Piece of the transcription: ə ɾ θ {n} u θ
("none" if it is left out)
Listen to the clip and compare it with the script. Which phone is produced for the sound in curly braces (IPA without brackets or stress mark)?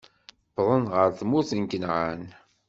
m